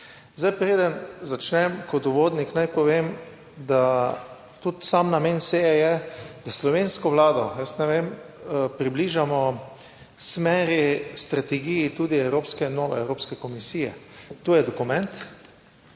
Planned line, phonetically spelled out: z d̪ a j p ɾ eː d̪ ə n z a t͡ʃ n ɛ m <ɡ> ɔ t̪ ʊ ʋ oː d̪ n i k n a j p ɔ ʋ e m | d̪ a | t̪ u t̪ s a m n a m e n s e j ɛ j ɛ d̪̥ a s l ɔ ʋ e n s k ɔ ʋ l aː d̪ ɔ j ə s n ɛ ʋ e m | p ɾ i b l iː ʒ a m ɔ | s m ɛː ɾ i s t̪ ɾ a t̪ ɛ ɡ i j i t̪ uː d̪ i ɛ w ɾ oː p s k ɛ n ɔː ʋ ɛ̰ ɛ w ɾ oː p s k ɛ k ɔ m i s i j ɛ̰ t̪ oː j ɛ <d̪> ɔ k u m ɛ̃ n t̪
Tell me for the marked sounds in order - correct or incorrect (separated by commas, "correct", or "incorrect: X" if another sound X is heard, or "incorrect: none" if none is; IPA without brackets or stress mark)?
incorrect: k, correct